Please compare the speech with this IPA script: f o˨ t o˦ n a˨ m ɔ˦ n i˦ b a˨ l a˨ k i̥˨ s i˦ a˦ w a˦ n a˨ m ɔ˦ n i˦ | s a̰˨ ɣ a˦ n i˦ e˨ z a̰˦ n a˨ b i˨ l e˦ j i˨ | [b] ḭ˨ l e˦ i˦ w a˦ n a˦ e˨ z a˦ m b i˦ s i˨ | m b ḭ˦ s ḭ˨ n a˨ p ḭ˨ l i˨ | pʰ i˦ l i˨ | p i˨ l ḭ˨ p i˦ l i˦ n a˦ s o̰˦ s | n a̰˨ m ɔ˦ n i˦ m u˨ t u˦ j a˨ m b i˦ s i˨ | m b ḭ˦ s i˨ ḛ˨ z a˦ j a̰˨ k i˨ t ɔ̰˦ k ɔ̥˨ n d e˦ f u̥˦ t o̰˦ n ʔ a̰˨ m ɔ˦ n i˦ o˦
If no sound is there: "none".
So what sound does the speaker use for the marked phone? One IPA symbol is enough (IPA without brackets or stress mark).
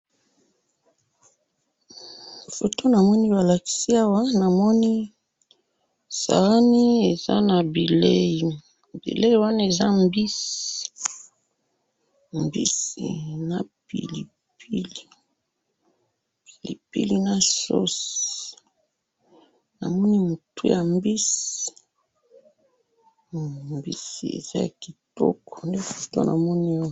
b